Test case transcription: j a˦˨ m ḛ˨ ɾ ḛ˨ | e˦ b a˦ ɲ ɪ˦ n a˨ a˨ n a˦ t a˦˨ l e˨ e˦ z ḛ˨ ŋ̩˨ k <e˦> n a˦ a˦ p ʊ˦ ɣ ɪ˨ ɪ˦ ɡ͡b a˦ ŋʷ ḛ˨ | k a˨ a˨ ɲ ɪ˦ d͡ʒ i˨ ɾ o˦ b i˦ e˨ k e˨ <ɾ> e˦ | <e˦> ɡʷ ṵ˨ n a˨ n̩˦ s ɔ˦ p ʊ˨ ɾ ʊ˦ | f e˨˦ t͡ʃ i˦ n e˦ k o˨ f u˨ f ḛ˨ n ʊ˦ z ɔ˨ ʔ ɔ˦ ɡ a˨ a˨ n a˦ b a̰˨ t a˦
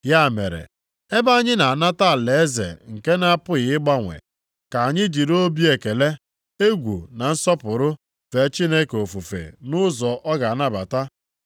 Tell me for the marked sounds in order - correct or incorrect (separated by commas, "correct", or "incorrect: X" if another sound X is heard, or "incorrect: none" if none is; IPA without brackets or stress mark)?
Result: correct, incorrect: l, correct